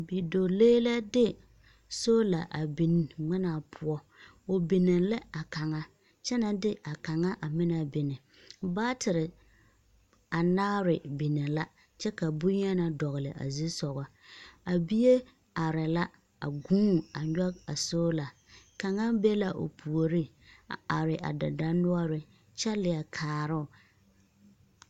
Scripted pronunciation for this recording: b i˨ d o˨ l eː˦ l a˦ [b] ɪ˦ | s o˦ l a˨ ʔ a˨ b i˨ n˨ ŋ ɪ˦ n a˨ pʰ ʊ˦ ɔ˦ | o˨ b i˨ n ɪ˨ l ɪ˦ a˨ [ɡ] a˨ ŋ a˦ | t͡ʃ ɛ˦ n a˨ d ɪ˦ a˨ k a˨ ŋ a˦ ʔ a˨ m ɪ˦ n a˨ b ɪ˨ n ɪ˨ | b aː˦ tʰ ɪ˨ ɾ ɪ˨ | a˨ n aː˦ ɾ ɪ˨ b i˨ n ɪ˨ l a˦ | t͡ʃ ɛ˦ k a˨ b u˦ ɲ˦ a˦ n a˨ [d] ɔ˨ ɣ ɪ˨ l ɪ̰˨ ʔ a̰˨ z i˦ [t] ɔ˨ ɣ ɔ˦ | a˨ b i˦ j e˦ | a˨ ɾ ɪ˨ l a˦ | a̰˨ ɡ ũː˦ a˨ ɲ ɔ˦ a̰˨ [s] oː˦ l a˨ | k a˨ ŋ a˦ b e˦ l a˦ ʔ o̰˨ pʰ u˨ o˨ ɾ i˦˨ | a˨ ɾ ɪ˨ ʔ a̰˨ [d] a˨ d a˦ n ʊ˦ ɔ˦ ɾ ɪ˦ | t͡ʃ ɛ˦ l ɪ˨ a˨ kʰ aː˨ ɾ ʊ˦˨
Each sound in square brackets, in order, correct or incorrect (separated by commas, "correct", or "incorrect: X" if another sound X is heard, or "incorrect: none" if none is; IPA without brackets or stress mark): incorrect: d, incorrect: k, correct, incorrect: s, correct, correct